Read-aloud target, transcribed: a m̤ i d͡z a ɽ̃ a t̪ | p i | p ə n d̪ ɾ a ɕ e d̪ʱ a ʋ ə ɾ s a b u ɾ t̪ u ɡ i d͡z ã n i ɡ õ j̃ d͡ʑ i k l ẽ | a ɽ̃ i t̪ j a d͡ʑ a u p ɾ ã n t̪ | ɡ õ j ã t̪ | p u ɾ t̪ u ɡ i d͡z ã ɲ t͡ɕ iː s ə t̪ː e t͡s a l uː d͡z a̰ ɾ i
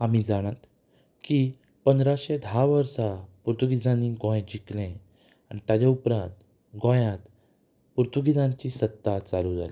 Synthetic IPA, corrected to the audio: a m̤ i d͡z a ɽ̃ a t̪ | k i | p ə n d̪ ɾ a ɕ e d̪ʱ a ʋ ə ɾ s a p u ɾ t̪ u ɡ i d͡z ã n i ɡ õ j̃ d͡ʑ i k l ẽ | a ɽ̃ i t̪ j a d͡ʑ a u p ɾ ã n t̪ | ɡ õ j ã t̪ | p u ɾ t̪ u ɡ i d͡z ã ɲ t͡ɕ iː s ə t̪ː a t͡s a l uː d͡z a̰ l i